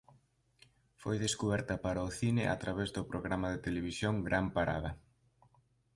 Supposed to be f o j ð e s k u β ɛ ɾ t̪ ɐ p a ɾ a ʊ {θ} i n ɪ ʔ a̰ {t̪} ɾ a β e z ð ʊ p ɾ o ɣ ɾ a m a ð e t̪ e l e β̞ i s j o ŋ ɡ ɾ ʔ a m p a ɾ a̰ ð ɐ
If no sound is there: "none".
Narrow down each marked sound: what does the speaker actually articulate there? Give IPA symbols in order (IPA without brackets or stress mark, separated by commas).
θ, t̪